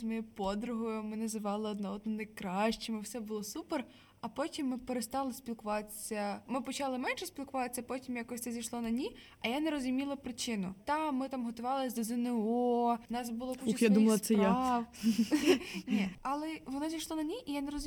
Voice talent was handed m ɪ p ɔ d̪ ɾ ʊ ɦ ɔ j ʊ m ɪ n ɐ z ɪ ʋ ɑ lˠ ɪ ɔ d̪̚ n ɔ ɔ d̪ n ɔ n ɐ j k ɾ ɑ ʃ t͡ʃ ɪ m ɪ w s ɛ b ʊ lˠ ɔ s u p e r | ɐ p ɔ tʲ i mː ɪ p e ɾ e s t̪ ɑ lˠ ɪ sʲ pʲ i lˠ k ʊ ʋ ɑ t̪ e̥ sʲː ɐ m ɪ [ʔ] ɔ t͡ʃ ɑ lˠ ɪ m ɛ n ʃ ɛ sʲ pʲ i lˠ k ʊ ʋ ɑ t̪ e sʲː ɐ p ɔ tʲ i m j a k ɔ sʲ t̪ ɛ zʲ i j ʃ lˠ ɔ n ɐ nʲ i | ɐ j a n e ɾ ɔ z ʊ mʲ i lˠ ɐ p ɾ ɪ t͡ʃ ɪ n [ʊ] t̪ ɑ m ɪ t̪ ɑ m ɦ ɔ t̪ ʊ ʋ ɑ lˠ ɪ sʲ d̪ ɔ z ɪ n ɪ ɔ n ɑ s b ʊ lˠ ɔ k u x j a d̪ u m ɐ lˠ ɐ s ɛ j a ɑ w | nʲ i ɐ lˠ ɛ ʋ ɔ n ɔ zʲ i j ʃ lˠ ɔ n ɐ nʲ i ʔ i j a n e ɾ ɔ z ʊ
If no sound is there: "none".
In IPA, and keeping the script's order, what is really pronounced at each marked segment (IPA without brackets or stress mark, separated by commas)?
p, ʊ